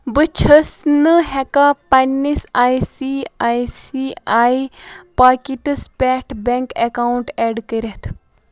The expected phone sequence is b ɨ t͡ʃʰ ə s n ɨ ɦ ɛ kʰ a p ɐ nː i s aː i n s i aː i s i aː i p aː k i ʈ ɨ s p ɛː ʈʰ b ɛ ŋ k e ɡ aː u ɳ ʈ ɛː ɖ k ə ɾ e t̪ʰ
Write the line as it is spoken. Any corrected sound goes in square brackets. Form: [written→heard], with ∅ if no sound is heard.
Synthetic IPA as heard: b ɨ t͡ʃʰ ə s n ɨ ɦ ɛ [kʰ→k] a p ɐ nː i s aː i [n→∅] s i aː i s i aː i p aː k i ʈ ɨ s p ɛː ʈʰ b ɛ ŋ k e [ɡ→k] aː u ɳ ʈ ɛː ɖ k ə ɾ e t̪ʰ